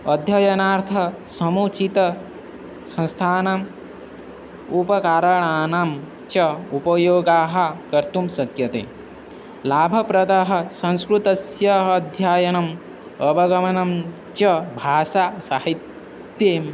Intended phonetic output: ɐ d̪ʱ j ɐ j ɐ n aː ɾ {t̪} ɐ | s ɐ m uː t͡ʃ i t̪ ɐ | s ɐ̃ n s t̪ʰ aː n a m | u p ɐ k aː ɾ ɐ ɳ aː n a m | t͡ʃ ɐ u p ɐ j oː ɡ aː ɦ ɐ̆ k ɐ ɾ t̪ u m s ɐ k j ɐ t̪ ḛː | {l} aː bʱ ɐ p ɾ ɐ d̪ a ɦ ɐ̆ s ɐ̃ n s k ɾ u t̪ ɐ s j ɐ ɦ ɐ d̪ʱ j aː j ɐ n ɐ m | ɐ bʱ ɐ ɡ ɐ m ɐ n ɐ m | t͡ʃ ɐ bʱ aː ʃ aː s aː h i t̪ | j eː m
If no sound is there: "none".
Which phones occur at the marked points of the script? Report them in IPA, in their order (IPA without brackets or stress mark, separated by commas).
t̪ʰ, l